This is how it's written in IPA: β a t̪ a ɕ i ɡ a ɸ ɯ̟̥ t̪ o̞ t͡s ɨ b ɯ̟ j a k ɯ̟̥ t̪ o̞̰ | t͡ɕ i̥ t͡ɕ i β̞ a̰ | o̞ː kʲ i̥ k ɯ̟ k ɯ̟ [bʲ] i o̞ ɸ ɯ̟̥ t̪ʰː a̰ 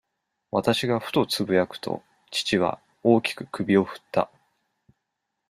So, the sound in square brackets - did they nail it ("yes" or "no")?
yes